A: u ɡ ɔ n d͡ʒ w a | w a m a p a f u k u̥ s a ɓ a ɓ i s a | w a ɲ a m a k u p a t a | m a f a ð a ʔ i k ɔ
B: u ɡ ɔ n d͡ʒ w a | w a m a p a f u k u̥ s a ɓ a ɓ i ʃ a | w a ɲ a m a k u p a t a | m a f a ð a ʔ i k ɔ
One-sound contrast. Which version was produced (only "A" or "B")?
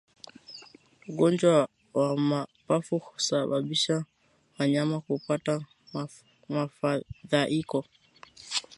B